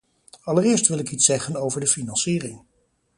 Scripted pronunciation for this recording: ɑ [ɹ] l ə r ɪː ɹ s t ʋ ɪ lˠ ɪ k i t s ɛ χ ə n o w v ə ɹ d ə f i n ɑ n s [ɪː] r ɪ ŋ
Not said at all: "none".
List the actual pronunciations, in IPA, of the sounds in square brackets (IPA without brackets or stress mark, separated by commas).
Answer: none, iː